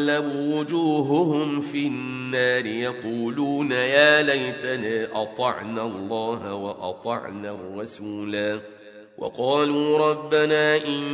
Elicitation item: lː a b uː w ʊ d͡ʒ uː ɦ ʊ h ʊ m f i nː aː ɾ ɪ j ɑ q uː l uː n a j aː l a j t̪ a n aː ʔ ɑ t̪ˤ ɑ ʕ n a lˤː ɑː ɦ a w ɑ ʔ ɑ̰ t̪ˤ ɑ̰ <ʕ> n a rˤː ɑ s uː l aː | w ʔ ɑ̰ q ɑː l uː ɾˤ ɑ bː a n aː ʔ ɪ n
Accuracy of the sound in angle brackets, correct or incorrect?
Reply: correct